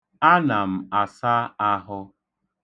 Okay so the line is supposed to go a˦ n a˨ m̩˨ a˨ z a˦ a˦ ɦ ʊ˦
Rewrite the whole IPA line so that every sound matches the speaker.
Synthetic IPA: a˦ n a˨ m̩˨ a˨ s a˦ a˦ ɦ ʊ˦